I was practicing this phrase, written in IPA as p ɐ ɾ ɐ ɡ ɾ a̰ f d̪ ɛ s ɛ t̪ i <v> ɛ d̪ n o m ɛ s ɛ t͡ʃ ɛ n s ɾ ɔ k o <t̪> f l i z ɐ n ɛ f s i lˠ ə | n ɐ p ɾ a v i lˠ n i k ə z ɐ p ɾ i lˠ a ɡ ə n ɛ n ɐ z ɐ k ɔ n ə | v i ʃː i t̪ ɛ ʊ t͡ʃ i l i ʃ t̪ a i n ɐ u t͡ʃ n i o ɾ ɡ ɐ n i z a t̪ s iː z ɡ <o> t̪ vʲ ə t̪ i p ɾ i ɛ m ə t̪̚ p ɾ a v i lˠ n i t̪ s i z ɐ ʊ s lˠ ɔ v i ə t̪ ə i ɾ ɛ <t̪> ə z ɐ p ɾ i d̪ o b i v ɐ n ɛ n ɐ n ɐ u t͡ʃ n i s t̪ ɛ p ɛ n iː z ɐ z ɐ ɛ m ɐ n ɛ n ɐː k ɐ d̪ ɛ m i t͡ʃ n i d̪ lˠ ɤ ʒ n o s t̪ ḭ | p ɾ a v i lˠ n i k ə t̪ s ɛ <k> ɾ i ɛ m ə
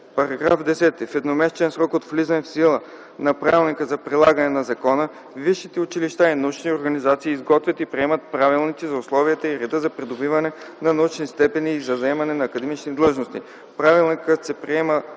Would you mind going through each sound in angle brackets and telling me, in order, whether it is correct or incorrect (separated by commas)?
incorrect, correct, incorrect, incorrect, incorrect